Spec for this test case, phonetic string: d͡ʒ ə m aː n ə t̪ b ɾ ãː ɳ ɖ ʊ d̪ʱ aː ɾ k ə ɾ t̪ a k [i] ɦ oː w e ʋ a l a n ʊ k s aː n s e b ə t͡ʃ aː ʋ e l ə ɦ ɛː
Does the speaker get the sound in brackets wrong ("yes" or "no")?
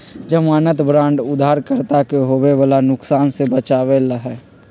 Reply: yes